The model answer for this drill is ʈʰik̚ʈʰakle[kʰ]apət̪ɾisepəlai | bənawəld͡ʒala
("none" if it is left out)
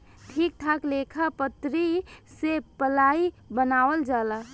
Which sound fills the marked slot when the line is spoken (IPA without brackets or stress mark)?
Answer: kʰ